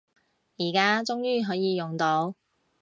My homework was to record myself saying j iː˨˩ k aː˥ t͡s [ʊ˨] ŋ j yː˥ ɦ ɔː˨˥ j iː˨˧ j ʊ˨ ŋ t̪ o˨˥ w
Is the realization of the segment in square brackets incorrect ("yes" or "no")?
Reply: yes